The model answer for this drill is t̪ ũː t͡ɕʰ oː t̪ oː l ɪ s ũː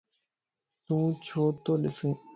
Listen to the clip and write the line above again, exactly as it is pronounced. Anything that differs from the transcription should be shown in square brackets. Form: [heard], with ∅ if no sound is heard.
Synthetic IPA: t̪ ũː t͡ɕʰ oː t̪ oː l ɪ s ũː